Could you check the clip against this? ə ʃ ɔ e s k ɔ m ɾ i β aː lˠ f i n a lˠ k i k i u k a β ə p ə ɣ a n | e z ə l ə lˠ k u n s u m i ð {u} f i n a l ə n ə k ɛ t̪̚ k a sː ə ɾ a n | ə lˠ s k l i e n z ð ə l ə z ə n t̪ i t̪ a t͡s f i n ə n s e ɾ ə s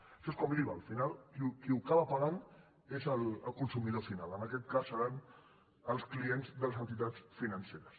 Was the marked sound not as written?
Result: yes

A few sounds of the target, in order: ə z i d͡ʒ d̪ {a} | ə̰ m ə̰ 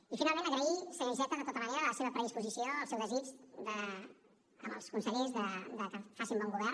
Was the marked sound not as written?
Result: yes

